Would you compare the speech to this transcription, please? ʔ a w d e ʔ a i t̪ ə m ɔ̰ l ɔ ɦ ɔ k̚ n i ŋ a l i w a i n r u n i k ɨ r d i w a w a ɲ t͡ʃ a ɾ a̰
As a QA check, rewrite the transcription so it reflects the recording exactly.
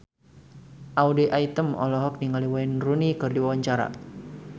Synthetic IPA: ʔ a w d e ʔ a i t̪ ə m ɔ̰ l ɔ ɦ ɔ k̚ n i ŋ a l i w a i n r u n i k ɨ r d i w a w a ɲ t͡ʃ a ɾ a̰